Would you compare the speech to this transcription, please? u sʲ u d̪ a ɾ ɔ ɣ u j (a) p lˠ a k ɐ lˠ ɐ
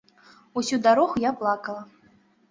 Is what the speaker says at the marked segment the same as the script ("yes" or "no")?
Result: yes